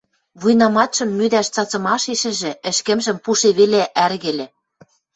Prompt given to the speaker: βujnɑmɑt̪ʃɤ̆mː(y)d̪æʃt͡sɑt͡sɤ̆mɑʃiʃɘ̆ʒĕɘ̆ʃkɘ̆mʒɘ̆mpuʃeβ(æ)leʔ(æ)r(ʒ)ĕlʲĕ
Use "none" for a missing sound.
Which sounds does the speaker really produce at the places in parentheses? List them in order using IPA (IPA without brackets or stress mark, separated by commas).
y, e, æ, ɣ